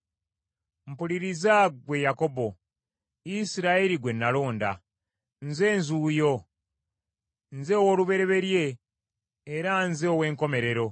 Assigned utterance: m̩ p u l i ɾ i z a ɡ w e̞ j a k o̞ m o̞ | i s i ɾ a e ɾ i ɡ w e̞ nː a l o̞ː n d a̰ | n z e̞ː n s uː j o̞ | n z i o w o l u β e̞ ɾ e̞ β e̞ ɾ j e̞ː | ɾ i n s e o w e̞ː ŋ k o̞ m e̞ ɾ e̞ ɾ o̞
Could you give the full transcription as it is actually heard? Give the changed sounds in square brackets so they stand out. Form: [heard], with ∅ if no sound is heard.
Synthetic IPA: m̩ p u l i ɾ i z a ɡ w e̞ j a k o̞ [b] o̞ | i s i ɾ a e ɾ i ɡ w e̞ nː a l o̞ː n d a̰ | n z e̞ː n [z] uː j o̞ | n z [e] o w o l u β e̞ ɾ e̞ β e̞ ɾ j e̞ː | ɾ [a] n [z] e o w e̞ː ŋ k o̞ m e̞ ɾ e̞ ɾ o̞